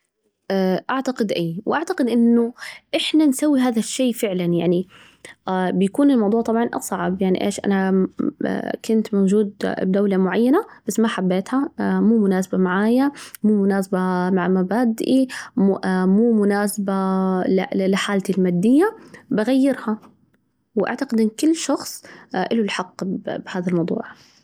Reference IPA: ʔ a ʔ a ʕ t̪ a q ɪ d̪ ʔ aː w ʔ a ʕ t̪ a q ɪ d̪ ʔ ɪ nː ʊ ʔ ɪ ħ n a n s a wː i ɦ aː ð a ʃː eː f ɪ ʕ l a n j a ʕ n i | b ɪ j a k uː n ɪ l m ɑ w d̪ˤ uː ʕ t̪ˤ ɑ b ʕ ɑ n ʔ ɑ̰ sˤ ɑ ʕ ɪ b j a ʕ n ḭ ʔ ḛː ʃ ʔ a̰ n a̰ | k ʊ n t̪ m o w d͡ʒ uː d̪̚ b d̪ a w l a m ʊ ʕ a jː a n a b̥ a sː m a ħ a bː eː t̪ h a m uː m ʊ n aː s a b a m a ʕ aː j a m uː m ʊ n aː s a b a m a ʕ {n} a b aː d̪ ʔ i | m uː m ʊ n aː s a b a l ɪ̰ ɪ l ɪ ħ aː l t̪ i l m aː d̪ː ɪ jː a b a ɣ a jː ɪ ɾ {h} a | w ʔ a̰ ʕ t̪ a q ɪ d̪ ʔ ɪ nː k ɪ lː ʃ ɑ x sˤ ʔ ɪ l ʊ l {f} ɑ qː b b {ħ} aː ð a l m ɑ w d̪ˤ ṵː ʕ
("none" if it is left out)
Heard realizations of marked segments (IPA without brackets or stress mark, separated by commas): m, h, ħ, h